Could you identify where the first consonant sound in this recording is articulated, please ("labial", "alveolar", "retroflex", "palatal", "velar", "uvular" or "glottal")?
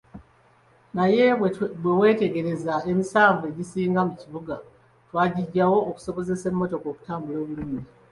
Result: alveolar